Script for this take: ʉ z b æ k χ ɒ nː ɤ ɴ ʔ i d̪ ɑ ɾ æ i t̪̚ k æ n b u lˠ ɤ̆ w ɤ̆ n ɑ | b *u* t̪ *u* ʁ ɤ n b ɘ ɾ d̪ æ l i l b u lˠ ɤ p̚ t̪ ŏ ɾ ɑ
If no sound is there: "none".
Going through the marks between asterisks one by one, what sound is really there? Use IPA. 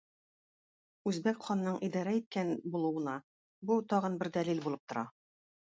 u, ɒ

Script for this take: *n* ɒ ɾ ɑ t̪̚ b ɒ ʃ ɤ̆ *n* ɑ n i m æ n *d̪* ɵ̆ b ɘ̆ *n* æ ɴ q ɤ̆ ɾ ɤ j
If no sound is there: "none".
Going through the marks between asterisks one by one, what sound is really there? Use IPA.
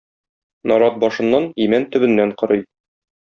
n, nː, t̪, nː

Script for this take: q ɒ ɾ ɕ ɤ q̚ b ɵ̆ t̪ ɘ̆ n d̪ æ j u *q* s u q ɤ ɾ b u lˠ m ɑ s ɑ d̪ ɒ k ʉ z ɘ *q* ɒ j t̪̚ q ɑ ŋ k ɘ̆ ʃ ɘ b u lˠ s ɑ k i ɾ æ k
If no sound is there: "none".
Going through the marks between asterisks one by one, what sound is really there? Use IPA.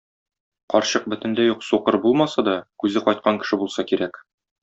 q, q

